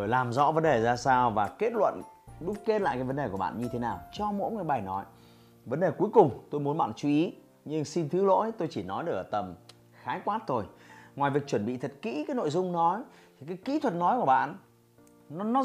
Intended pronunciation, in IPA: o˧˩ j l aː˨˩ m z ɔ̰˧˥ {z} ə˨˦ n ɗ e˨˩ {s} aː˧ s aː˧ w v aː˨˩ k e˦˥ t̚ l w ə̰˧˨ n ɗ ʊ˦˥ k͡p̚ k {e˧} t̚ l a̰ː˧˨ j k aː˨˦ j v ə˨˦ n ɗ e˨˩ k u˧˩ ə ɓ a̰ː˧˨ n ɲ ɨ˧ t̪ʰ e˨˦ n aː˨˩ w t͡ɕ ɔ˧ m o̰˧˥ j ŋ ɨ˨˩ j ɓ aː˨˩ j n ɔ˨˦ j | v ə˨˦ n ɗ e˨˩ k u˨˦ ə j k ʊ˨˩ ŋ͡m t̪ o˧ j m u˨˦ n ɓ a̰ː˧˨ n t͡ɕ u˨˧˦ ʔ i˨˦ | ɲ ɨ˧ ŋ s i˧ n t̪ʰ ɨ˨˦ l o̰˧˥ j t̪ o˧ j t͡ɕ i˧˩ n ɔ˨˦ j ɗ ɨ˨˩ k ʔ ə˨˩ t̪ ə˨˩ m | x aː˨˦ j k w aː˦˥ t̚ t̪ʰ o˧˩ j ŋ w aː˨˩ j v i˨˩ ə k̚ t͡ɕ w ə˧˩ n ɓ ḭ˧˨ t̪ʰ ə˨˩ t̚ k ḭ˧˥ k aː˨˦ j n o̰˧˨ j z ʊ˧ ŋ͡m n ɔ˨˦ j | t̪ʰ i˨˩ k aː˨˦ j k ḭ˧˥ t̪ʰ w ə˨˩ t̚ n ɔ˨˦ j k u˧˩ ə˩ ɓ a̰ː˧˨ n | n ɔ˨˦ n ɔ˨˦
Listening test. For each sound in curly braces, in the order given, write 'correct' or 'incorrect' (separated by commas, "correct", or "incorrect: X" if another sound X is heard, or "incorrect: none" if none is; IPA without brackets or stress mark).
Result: incorrect: v, incorrect: z, incorrect: e˦˥